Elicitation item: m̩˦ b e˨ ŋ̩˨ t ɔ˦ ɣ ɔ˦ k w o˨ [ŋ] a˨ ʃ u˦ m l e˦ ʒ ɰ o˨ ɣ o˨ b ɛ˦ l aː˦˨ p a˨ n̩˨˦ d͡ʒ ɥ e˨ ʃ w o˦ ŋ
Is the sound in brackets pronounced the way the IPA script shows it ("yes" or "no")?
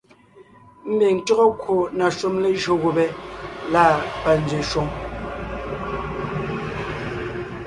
no